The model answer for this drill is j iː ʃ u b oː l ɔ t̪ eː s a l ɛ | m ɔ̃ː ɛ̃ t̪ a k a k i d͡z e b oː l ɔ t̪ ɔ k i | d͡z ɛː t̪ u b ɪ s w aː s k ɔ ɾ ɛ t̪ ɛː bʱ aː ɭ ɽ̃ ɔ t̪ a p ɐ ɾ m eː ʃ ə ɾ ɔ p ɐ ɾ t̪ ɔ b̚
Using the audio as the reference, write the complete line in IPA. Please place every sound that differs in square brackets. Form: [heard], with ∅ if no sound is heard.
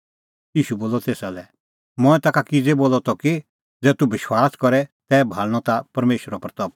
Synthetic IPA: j iː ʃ u b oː l ɔ t̪ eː s a l ɛ | m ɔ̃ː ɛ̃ t̪ a k a k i d͡z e b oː l ɔ t̪ ɔ k i | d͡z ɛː t̪ u b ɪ [ʃ] w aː s k ɔ ɾ ɛ t̪ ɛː bʱ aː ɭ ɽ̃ ɔ t̪ a p ɐ ɾ m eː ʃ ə ɾ ɔ p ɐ ɾ t̪ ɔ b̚